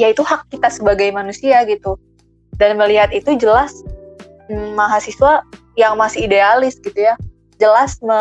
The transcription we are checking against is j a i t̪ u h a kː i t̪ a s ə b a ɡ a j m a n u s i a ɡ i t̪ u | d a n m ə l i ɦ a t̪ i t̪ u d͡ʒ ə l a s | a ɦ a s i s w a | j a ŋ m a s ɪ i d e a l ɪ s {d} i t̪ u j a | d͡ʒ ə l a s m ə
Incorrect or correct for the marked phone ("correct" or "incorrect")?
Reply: incorrect